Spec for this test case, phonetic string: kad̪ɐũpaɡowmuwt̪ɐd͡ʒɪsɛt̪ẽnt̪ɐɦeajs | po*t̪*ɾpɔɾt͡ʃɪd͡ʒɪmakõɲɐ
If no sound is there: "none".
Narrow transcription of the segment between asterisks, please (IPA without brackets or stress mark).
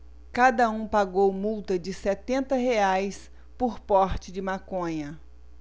none